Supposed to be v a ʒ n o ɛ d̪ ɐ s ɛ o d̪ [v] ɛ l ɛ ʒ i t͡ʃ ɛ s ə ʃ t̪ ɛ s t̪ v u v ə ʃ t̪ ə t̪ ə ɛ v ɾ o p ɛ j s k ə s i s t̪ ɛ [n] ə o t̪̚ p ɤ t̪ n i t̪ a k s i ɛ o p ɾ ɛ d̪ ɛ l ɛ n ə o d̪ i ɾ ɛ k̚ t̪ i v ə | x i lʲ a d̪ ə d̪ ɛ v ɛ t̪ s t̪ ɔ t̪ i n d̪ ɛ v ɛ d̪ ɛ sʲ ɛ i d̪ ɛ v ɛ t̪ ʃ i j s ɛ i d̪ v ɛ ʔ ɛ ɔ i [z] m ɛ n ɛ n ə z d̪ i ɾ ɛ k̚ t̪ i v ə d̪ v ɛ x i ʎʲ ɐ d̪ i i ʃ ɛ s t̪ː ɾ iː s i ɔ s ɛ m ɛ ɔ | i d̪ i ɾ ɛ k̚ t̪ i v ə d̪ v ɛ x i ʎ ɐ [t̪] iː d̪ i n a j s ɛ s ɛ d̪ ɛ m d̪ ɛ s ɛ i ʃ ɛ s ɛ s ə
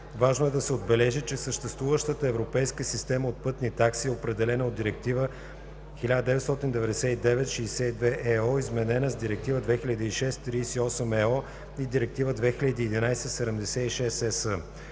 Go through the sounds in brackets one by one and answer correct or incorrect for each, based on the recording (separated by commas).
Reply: incorrect, incorrect, correct, incorrect